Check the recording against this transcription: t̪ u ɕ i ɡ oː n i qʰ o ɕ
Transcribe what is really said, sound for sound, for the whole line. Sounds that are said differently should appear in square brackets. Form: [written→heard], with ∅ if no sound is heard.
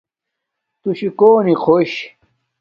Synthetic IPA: t̪ u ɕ i [ɡ→k] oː n i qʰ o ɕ